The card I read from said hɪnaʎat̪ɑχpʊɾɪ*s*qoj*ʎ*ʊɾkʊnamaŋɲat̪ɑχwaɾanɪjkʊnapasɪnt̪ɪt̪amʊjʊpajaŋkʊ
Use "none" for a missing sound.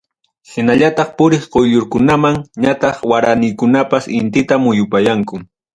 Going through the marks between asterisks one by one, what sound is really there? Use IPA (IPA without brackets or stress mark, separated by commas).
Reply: χ, ʎ